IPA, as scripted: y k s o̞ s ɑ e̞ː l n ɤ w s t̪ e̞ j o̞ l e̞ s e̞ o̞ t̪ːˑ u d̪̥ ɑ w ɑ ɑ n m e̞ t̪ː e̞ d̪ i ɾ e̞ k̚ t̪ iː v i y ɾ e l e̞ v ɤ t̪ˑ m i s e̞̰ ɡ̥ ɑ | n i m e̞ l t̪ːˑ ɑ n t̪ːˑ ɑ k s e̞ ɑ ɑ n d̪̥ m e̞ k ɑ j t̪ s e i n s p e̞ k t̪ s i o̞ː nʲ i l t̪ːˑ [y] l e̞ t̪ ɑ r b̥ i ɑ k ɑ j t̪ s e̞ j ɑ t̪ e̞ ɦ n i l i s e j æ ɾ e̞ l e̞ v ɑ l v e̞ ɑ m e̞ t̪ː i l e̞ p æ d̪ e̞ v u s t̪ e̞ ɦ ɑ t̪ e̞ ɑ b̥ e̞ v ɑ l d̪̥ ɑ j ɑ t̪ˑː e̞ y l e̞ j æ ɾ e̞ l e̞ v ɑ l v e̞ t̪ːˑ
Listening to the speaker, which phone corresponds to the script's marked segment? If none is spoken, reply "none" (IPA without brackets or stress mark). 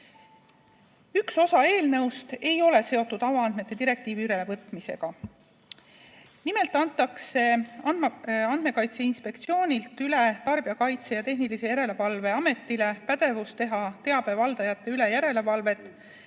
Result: y